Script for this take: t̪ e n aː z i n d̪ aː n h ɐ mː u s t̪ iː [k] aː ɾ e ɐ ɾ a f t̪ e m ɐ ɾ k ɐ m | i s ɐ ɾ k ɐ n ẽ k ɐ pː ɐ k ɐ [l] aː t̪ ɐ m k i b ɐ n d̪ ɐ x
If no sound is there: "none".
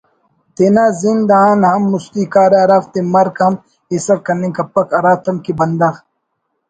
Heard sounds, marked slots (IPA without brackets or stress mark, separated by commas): k, ɾ